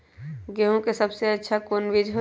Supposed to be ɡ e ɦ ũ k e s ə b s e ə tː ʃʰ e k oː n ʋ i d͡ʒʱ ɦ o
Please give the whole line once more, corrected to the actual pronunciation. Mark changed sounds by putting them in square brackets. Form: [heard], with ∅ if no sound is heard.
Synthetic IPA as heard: ɡ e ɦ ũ k e s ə b s e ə tː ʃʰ [a] k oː n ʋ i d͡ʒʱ ɦ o

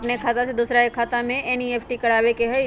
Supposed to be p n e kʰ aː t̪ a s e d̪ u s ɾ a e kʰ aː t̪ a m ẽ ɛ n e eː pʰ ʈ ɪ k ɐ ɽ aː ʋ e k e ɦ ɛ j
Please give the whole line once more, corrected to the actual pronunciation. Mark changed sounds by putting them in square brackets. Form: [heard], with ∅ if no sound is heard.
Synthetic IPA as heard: p n e kʰ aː t̪ a s e d̪ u s ɾ a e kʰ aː t̪ a m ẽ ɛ n [i] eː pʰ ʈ [i] k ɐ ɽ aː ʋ e k e ɦ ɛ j

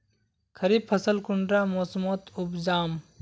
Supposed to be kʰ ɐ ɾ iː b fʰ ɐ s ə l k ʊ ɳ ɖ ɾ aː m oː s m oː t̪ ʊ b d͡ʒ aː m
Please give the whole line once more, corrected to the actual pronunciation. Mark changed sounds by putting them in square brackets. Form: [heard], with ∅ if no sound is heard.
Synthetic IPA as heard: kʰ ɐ ɾ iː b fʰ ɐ s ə l k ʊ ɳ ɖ ɾ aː m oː s m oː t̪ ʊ b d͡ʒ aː m

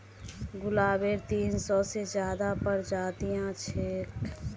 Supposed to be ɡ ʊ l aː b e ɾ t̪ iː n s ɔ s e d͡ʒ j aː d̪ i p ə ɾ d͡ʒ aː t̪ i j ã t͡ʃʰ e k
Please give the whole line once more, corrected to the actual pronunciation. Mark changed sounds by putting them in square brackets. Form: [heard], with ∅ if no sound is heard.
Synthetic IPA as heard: ɡ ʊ l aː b e ɾ t̪ iː n s ɔ s e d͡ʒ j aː d̪ [a] p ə ɾ d͡ʒ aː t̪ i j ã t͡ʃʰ e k

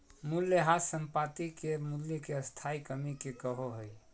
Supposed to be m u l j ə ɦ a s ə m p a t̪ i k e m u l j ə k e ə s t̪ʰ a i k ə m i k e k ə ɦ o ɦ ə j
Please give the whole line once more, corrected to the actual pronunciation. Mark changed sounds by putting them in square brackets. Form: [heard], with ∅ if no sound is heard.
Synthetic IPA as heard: m u l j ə ɦ a s ə m p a t̪ i k e m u l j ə k e ə s t̪ʰ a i k ə m i k e k ə ɦ o ɦ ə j

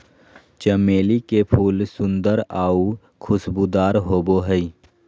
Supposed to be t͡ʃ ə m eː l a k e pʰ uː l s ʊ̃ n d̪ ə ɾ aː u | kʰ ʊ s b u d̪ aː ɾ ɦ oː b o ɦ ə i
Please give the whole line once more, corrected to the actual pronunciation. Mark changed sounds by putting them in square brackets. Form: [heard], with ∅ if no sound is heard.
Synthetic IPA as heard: t͡ʃ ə m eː l [i] k e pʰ uː l s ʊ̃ n d̪ ə ɾ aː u | kʰ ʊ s b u d̪ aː ɾ ɦ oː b o ɦ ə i

